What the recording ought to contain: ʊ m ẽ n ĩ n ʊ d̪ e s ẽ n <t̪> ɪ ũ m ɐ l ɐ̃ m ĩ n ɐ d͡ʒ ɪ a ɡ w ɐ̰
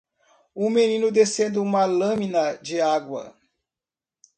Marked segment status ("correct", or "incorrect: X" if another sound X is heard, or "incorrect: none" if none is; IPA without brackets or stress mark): incorrect: d̪